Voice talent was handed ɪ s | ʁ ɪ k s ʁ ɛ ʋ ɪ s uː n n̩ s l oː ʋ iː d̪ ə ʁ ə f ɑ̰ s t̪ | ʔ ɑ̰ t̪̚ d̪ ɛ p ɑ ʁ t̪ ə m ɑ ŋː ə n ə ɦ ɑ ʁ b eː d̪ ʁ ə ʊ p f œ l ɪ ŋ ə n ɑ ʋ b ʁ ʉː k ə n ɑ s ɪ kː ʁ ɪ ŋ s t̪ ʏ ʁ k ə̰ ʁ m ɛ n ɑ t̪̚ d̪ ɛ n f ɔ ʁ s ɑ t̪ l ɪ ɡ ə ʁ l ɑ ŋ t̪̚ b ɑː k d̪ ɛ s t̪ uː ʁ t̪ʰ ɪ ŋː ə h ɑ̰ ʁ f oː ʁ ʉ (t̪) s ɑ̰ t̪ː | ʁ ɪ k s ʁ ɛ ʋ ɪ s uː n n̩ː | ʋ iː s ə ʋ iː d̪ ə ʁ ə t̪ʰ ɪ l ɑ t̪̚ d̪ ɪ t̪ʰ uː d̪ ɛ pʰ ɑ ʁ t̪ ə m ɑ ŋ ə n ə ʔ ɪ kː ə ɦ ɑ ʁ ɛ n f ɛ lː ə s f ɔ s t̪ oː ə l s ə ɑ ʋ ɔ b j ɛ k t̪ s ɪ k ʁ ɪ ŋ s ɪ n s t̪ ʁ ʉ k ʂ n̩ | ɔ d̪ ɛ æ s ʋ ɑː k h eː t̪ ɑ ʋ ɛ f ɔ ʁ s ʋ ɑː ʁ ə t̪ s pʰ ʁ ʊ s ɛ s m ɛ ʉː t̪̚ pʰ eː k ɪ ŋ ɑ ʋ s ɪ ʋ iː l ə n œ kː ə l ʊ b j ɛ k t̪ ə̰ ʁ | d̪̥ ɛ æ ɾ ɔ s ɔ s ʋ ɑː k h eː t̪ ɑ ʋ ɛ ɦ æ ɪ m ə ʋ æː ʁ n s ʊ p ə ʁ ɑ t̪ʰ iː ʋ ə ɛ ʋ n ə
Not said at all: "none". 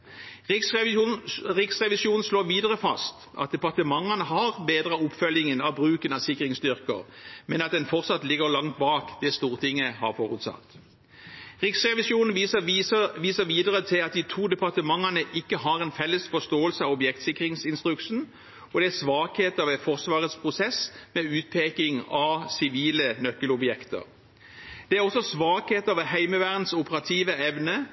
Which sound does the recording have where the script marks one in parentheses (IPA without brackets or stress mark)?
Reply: t̪